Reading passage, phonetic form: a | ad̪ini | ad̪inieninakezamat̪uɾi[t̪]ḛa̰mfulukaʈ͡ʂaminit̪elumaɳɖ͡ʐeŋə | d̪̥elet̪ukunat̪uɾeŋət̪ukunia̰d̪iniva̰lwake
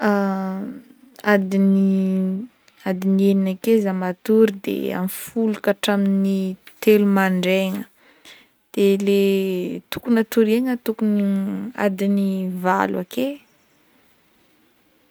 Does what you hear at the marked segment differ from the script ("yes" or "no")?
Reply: yes